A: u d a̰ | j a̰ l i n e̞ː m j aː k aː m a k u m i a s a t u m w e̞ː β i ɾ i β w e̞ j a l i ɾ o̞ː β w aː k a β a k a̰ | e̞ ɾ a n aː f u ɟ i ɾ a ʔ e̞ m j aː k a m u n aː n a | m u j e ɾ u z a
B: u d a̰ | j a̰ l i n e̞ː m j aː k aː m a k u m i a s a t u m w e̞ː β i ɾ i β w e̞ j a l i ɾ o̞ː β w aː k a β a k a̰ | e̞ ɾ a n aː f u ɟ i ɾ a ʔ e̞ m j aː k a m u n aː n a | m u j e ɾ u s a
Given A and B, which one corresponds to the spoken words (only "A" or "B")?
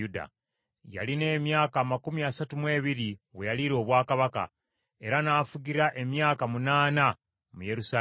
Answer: B